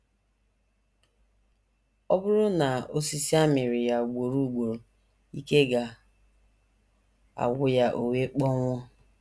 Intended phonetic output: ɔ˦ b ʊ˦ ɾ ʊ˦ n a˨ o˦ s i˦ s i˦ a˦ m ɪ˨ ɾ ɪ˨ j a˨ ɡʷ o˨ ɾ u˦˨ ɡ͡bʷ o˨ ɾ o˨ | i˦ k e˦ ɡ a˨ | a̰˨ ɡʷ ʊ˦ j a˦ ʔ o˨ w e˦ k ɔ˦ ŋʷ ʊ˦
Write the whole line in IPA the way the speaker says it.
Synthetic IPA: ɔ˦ b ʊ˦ ɾ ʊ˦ n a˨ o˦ s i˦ s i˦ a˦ m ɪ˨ ɾ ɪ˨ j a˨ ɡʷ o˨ ɾ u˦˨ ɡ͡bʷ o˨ ɾ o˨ | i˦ k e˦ ɡ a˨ | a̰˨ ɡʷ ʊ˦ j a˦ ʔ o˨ w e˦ k͡p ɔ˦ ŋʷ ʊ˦

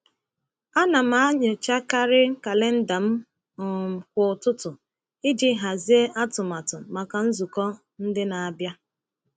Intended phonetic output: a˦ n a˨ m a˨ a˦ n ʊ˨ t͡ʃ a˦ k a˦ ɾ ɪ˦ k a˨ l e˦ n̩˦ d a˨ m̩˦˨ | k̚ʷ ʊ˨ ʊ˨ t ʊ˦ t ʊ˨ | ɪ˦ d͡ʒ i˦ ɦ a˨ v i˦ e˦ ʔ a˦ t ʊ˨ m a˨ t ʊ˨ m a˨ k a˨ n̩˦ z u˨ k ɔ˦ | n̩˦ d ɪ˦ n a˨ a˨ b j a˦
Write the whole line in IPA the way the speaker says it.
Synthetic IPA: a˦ n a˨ m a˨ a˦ ɲ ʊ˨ t͡ʃ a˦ k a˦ ɾ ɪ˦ k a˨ l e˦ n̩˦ d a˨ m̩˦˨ | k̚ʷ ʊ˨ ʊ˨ t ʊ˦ t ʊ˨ | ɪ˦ d͡ʒ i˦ ɦ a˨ z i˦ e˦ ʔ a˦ t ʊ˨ m a˨ t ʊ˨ m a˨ k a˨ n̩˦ z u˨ k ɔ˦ | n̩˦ d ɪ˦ n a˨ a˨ b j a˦

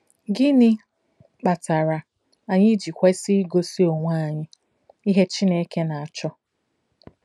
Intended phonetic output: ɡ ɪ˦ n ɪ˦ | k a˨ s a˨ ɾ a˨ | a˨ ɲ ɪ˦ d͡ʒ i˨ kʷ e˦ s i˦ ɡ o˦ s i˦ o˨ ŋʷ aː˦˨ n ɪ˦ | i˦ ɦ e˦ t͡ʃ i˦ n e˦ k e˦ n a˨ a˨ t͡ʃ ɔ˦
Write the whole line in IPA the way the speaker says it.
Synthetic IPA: ɡ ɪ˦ n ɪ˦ | k͡p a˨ t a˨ ɾ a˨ | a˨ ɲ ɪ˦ d͡ʒ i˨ kʷ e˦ s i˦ ɡ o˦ s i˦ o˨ ŋʷ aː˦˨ ɲ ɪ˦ | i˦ ɦ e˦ t͡ʃ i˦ n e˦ k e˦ n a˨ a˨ t͡ʃ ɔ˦

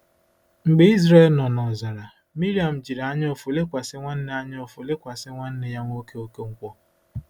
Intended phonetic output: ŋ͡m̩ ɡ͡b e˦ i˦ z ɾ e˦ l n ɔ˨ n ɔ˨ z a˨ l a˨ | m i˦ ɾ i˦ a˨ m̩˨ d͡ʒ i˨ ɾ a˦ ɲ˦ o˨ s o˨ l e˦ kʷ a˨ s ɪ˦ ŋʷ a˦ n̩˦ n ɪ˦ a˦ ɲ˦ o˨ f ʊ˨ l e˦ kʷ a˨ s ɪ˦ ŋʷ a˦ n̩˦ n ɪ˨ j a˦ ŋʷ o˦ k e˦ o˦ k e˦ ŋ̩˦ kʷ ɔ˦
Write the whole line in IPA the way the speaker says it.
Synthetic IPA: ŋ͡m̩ ɡ͡b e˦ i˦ z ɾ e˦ l n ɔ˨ n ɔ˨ z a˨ ɾ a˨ | m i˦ ɾ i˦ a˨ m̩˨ d͡ʒ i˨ ɾ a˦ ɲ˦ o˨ f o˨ l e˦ kʷ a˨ s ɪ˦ ŋʷ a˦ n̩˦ n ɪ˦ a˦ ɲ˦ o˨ f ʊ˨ l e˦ kʷ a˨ s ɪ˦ ŋʷ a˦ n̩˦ n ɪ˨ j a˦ ŋʷ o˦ k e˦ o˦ k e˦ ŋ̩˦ kʷ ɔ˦

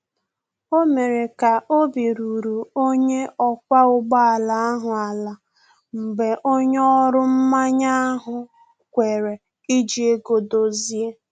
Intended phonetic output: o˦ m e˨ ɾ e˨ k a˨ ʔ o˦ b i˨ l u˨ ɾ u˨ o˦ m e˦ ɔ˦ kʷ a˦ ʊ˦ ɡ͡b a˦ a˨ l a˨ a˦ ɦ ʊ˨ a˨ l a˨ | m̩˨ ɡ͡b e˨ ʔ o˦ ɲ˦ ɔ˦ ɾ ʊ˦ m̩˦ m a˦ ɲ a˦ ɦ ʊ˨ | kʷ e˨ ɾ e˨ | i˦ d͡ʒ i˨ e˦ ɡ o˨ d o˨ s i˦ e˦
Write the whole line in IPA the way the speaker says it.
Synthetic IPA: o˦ m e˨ ɾ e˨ k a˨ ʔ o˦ b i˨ ɾ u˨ ɾ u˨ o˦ ɲ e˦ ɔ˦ kʷ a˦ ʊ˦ ɡ͡b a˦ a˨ l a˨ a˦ ɦ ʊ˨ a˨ l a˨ | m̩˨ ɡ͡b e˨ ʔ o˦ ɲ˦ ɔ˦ ɾ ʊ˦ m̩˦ m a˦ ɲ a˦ ɦ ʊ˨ | kʷ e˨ ɾ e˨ | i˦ d͡ʒ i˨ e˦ ɡ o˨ d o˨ z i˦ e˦

